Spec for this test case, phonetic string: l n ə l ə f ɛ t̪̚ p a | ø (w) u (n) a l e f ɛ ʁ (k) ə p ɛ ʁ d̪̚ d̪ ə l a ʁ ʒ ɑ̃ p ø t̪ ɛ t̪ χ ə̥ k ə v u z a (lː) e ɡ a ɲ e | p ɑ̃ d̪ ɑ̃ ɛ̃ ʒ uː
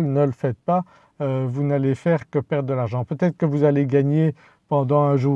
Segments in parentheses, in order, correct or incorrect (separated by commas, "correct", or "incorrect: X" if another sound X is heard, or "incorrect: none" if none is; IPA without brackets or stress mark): incorrect: v, correct, correct, incorrect: l